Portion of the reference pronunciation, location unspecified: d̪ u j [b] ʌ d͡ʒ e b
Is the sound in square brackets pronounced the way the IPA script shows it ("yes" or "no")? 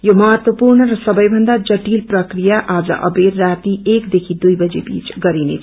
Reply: yes